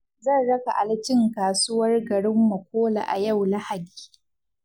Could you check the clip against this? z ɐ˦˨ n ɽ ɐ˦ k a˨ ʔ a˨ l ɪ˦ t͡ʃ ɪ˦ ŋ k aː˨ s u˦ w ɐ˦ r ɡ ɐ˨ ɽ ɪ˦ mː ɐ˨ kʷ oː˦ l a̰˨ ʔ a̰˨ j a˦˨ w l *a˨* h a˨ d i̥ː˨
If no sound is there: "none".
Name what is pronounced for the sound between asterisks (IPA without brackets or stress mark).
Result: a˦